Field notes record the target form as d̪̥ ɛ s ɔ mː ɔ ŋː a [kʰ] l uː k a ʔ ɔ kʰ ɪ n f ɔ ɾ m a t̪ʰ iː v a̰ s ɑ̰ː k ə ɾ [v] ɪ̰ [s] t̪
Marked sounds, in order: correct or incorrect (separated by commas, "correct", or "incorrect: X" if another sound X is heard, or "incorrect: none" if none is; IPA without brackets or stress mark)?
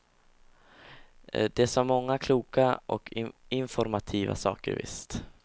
correct, correct, correct